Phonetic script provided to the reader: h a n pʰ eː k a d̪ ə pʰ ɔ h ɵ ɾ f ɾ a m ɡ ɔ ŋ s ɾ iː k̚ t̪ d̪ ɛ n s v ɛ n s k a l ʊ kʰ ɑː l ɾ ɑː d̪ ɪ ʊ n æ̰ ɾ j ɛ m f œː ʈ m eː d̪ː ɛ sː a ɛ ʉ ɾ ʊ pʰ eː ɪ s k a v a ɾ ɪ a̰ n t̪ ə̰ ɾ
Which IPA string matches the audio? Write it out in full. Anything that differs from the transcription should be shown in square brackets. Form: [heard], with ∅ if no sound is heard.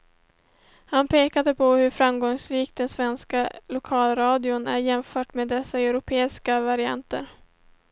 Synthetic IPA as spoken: h a n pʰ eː k a d̪ ə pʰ ɔ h ɵ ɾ f ɾ a m ɡ ɔ ŋ s ɾ iː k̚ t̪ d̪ ɛ n s v ɛ n s k a l ʊ kʰ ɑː l ɾ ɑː d̪ ɪ ʊ n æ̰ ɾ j ɛ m f œː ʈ m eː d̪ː ɛ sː a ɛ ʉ ɾ ʊ pʰ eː ɪ s k a v a ɾ ɪ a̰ n t̪ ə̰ ɾ

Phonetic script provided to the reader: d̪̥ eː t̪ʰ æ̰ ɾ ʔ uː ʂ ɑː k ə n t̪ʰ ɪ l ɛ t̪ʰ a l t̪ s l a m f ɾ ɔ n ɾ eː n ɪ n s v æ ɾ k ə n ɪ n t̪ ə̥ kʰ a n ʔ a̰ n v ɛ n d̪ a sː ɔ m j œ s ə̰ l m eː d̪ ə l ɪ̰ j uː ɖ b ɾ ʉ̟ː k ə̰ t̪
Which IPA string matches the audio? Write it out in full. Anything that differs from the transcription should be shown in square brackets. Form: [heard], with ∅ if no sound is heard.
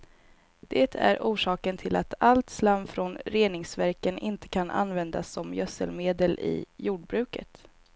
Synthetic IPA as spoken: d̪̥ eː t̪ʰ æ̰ ɾ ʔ uː ʂ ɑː k ə n t̪ʰ ɪ l [a] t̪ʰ a l t̪ s l a m f ɾ ɔ n ɾ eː n ɪ [ŋ] s v æ ɾ k ə n ɪ n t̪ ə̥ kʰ a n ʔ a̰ n v ɛ n d̪ a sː ɔ m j œ s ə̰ l m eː d̪ ə l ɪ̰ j uː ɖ b ɾ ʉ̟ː k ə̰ t̪

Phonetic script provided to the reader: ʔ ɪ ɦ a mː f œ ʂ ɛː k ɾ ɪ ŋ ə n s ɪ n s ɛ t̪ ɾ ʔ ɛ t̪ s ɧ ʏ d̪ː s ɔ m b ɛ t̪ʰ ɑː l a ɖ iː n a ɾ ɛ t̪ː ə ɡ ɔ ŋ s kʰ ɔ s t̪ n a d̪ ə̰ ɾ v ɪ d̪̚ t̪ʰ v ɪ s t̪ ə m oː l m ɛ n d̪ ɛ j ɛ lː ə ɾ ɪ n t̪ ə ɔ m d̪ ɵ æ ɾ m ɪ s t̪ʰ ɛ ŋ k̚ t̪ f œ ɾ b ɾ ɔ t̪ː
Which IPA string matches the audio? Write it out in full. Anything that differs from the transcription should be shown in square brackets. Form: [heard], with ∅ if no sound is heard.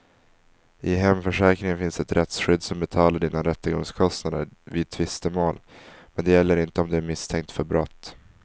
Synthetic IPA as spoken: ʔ ɪ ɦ [ɛ] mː f œ ʂ ɛː k ɾ ɪ ŋ ə n [f] ɪ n s ɛ t̪ ɾ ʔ ɛ t̪ s ɧ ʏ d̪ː s ɔ m b ɛ t̪ʰ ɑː l a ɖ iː n a ɾ ɛ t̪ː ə ɡ ɔ ŋ s kʰ ɔ s t̪ n a d̪ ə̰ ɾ v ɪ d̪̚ t̪ʰ v ɪ s t̪ ə m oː l m ɛ n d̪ ɛ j ɛ lː ə ɾ ɪ n t̪ ə ɔ m d̪ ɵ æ ɾ m ɪ s t̪ʰ ɛ ŋ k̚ t̪ f œ ɾ b ɾ ɔ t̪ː

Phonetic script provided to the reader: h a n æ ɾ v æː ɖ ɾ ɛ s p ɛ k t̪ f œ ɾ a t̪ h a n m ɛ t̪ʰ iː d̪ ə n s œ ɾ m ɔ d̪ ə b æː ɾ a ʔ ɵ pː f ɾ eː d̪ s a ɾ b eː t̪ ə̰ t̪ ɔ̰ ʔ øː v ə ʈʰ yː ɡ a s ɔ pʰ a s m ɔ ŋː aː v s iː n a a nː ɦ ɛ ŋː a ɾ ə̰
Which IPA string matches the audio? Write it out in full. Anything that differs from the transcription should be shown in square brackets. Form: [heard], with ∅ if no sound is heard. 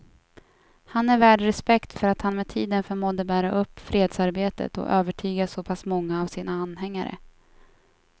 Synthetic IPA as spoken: h a n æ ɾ v æː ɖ ɾ ɛ s p ɛ k t̪ f œ ɾ a t̪ h a n m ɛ t̪ʰ iː d̪ ə n [f] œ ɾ m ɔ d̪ ə b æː ɾ a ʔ ɵ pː f ɾ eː d̪ s a ɾ b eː t̪ ə̰ t̪ ɔ̰ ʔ øː v ə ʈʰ yː ɡ a s ɔ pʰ a s m ɔ ŋː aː v s iː n a a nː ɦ ɛ ŋː a ɾ ə̰

